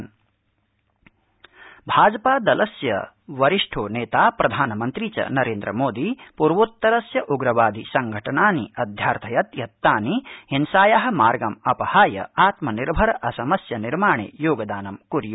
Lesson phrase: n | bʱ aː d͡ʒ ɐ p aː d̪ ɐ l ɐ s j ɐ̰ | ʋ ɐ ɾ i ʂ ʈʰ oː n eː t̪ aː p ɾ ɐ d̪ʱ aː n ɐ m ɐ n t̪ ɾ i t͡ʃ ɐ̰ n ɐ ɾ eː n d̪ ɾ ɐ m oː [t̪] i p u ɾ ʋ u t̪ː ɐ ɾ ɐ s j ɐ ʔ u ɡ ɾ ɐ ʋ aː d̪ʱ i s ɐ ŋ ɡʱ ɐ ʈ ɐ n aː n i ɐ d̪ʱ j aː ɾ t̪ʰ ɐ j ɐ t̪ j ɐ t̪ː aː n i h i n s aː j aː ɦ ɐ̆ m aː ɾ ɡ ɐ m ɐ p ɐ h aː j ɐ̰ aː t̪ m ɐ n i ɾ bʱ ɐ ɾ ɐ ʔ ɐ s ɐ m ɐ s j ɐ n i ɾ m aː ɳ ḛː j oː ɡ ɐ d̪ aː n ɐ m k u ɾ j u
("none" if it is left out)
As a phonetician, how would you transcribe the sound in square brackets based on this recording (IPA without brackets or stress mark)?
d̪